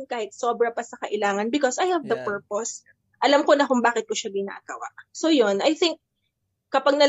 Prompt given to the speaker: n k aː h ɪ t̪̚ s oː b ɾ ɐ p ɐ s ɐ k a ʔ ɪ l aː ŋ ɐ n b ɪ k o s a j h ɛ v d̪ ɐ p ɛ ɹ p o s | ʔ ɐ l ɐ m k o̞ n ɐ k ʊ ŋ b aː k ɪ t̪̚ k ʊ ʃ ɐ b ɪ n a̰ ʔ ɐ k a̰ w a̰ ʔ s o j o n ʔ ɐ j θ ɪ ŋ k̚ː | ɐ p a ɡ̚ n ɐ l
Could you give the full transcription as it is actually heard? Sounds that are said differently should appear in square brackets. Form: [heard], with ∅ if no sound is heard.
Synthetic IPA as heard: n k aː h ɪ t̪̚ s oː b ɾ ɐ p ɐ s ɐ k [ɐ] ʔ ɪ l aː ŋ ɐ n b ɪ k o s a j h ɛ v d̪ ɐ p ɛ ɹ p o s | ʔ ɐ l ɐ m k o̞ n ɐ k ʊ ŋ b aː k ɪ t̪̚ k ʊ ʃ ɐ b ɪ n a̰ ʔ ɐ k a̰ w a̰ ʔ s o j o n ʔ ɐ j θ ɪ ŋ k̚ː | ɐ p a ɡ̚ n ɐ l